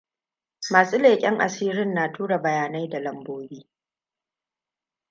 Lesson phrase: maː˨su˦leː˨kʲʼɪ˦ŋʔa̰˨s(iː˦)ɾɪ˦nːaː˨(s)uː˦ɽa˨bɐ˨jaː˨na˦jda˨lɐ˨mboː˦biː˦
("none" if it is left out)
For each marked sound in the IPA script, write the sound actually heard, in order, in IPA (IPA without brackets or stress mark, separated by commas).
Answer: iː˦, t